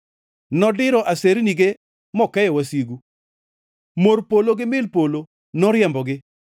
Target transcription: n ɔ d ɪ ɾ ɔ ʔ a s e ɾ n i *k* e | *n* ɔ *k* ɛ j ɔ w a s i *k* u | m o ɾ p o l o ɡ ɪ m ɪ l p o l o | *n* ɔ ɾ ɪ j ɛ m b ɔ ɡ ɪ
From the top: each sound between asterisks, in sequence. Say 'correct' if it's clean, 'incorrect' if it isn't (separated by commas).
incorrect, incorrect, correct, incorrect, correct